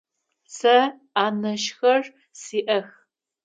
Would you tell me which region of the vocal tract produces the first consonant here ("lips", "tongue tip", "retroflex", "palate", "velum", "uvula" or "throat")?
tongue tip